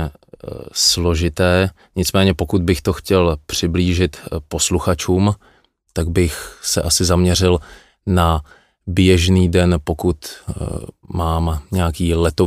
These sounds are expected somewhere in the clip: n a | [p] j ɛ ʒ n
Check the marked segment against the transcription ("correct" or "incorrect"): incorrect